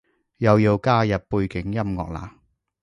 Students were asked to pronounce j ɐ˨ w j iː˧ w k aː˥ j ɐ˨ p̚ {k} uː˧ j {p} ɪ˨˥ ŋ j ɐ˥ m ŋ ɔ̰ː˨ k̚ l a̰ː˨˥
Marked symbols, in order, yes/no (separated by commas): no, no